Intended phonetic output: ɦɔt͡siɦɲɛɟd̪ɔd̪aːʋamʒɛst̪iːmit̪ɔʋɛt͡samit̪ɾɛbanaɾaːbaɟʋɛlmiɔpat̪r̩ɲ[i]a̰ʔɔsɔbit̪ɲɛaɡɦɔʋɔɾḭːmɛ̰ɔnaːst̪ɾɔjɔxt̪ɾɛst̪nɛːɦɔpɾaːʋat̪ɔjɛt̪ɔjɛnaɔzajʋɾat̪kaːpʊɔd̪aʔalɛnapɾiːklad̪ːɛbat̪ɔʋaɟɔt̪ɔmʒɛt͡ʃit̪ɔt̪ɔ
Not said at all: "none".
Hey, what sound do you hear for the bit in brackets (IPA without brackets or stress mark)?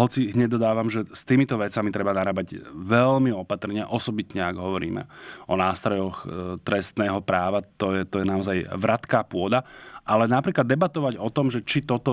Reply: ɪ